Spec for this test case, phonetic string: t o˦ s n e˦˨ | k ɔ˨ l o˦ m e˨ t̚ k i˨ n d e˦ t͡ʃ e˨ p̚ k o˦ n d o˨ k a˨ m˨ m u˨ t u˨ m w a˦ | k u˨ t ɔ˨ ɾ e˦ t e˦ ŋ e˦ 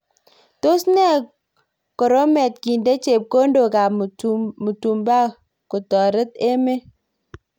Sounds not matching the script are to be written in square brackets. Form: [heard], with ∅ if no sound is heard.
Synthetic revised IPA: t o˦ s n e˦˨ | k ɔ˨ [ɾ] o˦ m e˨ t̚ k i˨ n d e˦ t͡ʃ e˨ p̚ k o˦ n d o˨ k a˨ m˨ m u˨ t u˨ m [b] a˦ | k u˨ t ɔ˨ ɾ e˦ t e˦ [m] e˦